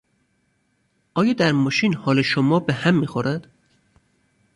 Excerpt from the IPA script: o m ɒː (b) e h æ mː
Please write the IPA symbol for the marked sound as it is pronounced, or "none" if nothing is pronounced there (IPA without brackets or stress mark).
b